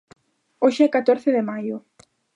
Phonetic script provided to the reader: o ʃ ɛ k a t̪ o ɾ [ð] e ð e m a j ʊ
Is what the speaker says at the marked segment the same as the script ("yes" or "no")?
no